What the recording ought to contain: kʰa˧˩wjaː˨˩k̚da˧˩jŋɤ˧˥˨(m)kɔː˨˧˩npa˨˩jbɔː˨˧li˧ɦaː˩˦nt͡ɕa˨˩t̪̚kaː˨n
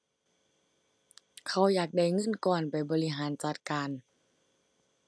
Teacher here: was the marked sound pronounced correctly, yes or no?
no